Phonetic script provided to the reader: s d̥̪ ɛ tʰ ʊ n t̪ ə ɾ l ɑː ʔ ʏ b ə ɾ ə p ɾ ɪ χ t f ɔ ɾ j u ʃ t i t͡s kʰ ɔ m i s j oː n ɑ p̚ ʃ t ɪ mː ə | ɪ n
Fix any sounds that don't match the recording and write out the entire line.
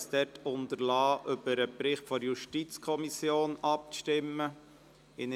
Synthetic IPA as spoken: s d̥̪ ɛ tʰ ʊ n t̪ ə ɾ l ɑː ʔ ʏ b ə ɾ ə p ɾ ɪ χ t f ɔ ɾ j u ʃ t i t͡s kʰ ɔ m i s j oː n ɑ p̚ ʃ t ɪ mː ə | ɪ n